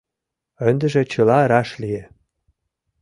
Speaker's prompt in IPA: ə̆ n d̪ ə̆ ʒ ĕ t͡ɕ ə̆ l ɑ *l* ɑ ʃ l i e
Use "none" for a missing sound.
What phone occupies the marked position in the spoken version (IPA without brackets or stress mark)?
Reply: ɾ